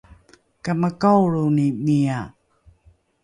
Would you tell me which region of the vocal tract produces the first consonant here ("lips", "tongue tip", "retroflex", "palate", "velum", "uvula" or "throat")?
velum